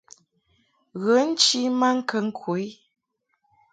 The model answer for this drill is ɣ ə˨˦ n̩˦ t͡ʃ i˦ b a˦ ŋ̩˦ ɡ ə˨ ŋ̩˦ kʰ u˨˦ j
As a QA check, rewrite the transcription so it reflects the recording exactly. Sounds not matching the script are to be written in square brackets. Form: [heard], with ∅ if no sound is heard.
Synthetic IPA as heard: ɣ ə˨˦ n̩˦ t͡ʃ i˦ [m] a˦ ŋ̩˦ [k] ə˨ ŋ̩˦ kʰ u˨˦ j